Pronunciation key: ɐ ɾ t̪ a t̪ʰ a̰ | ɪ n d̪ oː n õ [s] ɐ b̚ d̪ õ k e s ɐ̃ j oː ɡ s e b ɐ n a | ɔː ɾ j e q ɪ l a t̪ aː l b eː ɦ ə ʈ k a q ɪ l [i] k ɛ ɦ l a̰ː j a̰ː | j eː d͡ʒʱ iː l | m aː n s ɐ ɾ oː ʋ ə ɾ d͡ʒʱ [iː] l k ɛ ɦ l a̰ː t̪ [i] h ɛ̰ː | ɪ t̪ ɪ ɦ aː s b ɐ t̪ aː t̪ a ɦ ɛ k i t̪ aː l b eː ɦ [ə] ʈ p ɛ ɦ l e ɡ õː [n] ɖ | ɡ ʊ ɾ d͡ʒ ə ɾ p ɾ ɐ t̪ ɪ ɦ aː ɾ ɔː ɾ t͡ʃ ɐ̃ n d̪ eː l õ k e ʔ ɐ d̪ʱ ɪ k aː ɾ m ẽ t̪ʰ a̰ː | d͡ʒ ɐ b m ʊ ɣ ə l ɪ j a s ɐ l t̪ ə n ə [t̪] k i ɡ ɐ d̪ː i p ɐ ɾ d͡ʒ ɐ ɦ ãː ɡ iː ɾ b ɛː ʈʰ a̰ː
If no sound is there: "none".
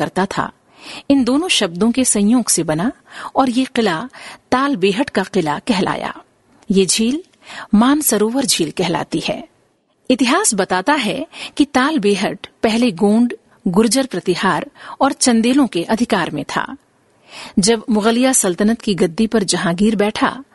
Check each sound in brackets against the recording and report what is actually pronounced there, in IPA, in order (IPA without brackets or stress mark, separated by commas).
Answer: ʃ, a, iː, i, ə, ɳ, t̪